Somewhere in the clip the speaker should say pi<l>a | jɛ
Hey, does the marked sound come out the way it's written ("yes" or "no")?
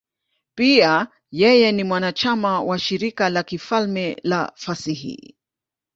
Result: no